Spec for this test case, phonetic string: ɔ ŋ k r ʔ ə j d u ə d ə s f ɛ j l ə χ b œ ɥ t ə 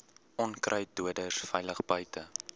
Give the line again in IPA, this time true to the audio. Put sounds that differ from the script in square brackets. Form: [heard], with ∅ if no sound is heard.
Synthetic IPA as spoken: ɔ [n] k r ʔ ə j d u ə d ə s f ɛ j l ə χ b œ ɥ t ə